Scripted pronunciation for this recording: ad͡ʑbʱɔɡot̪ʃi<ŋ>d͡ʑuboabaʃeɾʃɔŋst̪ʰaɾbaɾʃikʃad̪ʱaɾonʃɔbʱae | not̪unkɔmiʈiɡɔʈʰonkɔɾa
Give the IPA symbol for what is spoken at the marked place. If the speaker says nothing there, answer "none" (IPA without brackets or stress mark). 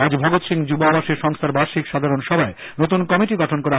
ŋ